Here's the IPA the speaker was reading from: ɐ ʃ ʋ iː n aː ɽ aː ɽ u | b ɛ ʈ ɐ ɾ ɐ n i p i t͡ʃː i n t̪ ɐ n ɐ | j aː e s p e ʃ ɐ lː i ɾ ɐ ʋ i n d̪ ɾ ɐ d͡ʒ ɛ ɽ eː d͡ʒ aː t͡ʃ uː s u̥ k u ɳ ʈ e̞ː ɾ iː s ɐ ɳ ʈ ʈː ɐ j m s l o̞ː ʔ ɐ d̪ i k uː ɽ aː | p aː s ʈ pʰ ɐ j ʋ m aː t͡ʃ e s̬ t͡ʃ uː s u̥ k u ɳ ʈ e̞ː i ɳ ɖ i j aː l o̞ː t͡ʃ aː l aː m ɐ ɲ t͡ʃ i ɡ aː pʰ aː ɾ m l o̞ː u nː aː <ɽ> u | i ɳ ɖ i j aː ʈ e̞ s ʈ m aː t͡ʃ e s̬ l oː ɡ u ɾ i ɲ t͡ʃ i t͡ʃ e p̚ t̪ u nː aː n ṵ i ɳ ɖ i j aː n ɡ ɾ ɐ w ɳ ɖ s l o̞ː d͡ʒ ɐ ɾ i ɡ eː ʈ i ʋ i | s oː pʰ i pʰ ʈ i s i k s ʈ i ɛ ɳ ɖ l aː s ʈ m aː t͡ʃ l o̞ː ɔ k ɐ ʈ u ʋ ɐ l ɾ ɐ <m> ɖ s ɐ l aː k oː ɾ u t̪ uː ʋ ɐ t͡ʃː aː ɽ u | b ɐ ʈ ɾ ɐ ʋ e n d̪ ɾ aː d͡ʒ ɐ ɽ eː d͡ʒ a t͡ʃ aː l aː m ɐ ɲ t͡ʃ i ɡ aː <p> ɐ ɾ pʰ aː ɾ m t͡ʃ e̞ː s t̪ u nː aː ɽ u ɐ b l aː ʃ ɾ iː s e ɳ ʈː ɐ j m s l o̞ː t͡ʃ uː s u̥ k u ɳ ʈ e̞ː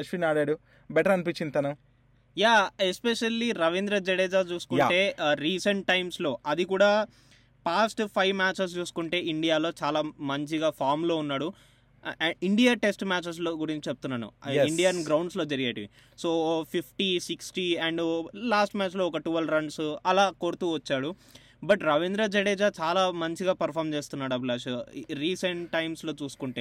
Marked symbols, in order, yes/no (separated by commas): yes, no, yes